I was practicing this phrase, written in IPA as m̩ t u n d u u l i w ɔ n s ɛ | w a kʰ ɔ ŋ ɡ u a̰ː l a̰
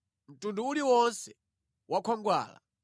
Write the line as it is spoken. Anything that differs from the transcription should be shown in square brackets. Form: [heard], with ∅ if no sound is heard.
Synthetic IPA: m̩ t u n d u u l i w ɔ n s ɛ | w a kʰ ɔ ŋ ɡ [w] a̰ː l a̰